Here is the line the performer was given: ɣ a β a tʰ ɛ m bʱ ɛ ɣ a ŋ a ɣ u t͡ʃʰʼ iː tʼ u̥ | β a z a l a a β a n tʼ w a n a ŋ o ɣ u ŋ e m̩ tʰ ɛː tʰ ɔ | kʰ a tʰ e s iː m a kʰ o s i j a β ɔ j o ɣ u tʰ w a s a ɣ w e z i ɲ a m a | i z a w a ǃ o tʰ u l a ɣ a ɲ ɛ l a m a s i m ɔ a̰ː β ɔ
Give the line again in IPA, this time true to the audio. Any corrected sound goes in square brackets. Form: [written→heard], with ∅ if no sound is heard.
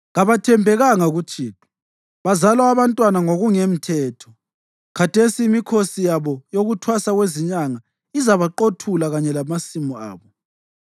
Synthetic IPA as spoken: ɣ a β a tʰ ɛ m bʱ ɛ ɣ a ŋ a ɣ u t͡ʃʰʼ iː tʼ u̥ | β a z a l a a β a n tʼ w a n a ŋ o ɣ u ŋ e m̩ tʰ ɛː tʰ ɔ | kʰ a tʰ e s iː m [a→i] kʰ o s i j a β ɔ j o ɣ u tʰ w a s a ɣ w e z i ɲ a [m→ŋ] a | i z a [w→β] a ǃ o tʰ u l a ɣ a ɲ ɛ l a m a s i m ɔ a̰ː β ɔ